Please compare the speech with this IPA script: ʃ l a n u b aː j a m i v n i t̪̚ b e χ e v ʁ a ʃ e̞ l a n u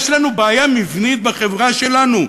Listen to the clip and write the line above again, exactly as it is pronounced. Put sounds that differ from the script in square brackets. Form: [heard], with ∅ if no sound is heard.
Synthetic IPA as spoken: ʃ l a n u b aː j a m i v n i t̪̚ b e χ e v ʁ a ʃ e̞ l a n u